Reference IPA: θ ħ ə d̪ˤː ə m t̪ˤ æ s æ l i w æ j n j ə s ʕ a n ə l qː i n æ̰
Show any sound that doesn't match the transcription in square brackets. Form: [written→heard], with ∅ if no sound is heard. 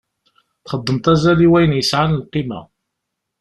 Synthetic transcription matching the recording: θ [ħ→χ] ə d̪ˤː ə m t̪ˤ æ [s→z] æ l i w æ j n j ə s ʕ a n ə l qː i [n→m] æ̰